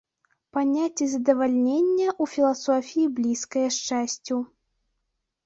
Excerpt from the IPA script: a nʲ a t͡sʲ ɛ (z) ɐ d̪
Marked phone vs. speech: correct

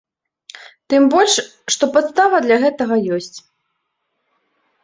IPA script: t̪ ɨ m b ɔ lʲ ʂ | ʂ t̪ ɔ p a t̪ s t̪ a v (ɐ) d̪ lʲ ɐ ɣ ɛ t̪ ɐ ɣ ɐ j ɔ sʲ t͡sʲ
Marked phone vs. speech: correct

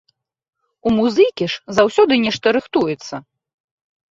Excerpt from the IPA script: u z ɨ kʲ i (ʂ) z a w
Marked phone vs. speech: correct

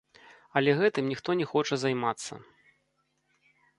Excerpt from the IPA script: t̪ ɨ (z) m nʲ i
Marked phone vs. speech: incorrect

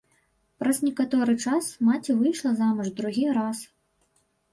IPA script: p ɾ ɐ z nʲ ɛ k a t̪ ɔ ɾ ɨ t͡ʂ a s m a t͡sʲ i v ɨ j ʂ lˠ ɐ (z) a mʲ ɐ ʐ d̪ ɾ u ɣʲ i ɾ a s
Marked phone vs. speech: correct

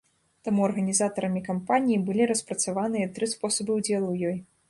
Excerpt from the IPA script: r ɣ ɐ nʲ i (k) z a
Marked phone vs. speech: incorrect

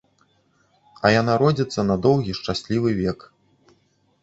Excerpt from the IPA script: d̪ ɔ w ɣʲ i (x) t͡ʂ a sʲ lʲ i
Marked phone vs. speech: incorrect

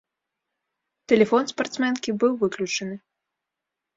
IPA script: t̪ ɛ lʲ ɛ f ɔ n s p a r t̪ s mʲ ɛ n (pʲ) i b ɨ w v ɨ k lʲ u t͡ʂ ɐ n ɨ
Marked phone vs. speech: incorrect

